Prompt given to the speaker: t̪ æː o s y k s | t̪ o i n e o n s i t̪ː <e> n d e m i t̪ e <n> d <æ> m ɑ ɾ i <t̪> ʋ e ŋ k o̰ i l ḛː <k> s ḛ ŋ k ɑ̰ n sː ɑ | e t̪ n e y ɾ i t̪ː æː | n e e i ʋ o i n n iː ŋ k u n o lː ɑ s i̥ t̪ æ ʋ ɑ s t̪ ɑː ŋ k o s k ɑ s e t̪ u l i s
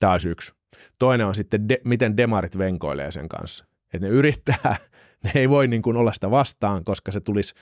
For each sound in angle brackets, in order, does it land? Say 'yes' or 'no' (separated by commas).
yes, yes, no, yes, no